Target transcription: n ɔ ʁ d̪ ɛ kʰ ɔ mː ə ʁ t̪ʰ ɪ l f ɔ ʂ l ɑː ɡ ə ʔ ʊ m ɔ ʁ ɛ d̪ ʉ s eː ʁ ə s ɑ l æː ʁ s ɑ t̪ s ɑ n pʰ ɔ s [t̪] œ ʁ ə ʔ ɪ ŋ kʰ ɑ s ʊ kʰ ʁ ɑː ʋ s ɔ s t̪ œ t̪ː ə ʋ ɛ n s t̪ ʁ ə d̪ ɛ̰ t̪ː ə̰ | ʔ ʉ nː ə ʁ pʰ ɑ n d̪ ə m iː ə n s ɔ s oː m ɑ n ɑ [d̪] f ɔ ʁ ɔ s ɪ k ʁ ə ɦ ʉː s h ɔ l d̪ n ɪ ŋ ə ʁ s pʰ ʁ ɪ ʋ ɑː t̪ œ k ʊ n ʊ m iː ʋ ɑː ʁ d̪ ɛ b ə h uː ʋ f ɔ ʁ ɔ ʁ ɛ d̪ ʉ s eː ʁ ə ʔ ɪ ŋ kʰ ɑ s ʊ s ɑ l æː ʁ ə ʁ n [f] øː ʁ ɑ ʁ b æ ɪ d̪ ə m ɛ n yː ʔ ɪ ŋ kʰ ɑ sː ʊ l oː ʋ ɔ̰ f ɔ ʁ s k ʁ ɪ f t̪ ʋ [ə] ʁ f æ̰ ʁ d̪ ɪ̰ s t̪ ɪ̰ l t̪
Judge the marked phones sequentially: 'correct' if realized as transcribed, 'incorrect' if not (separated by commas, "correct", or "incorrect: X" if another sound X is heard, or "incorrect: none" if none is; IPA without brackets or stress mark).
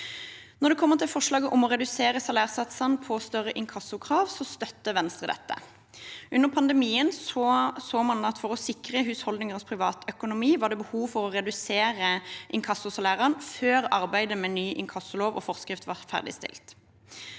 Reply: correct, incorrect: t̪, correct, incorrect: ɑ